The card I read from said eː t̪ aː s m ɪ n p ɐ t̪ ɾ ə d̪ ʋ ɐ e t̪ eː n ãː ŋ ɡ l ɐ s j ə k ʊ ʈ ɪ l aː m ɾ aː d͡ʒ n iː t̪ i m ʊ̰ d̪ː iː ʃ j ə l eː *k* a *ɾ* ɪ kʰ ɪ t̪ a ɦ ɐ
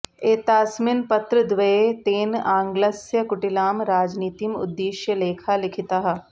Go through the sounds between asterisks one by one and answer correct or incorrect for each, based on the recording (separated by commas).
incorrect, incorrect